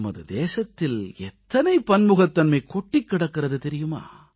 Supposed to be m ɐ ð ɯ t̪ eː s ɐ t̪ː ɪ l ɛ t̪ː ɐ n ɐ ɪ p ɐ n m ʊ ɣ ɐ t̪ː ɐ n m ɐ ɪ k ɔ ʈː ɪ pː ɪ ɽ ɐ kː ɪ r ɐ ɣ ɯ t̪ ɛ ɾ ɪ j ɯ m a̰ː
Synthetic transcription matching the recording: m ɐ ð ɯ d̪ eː s ɐ t̪ː ɪ l ɛ t̪ː ɐ n ɐ ɪ p ɐ n m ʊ ɣ ɐ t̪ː ɐ n m ɐ ɪ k ɔ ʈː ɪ kː ɪ ɽ ɐ kː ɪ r ɐ ð ɯ t̪ ɛ ɾ ɪ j ɯ m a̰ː